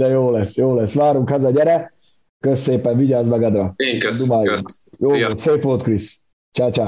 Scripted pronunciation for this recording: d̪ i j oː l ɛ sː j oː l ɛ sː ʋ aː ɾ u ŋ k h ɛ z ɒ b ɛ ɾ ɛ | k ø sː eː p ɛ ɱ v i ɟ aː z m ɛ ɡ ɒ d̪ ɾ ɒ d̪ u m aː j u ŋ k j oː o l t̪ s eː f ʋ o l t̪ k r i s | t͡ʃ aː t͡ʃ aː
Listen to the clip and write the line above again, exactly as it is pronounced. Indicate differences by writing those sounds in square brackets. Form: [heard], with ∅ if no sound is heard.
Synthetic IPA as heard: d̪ [ɛ] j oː l ɛ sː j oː l ɛ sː ʋ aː ɾ u ŋ k h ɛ z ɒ [ɟ] ɛ ɾ ɛ | k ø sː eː p ɛ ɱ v i ɟ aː z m ɛ ɡ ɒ d̪ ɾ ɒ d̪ u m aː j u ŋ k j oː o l t̪ s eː f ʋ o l t̪ k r i s | t͡ʃ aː t͡ʃ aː